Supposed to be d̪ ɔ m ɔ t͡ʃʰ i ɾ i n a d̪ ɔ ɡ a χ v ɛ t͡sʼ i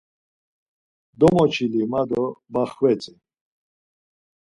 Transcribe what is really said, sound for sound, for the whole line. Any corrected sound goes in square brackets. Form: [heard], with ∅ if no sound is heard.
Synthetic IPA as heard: d̪ ɔ m ɔ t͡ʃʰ i [l] i [m] a d̪ ɔ [b] a χ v ɛ t͡sʼ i